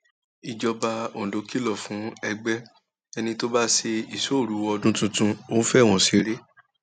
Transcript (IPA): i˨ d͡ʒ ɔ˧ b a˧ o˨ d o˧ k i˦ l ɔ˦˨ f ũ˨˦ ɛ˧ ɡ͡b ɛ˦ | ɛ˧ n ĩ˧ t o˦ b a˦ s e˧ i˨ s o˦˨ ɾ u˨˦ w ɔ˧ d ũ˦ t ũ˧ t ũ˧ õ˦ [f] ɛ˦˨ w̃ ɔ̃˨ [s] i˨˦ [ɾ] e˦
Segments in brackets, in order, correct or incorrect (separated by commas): correct, correct, correct